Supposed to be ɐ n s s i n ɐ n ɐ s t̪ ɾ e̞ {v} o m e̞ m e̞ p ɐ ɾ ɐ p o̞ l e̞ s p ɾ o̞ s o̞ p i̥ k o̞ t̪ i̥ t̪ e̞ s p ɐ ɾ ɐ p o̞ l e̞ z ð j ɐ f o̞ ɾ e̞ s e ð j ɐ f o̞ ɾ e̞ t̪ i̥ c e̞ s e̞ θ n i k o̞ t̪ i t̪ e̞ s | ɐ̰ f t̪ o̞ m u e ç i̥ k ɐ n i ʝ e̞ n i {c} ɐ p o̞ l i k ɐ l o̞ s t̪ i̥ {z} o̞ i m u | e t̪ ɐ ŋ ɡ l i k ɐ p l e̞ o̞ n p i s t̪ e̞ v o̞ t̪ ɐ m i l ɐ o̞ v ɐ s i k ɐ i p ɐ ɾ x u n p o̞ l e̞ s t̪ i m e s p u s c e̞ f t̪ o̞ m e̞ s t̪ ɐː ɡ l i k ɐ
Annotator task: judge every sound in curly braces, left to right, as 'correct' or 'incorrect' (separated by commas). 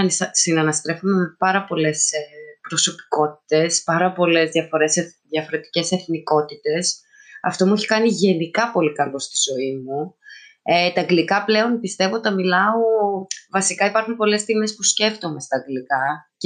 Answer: incorrect, incorrect, correct